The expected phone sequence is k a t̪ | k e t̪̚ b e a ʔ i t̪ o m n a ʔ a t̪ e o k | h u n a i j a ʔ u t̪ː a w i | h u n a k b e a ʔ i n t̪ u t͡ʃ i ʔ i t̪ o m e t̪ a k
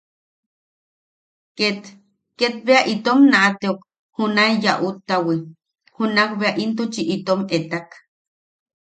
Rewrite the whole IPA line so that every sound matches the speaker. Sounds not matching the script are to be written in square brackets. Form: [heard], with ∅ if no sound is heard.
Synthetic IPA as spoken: k [e] t̪ | k e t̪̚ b e a ʔ i t̪ o m n a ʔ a t̪ e o k | h u n a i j a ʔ u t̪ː a w i | h u n a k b e a ʔ i n t̪ u t͡ʃ i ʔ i t̪ o m e t̪ a k